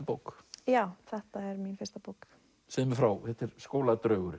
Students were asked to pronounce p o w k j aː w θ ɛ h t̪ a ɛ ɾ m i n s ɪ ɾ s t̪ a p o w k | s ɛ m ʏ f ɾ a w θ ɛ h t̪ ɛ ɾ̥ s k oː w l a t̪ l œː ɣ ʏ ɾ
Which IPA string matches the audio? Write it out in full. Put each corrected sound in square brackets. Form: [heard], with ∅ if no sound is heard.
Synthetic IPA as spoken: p o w k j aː w θ ɛ h t̪ a ɛ ɾ m i n [f] ɪ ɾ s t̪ a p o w k | s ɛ m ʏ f ɾ a w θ ɛ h t̪ ɛ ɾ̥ s k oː w l a t̪ [ɾ] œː ɣ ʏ ɾ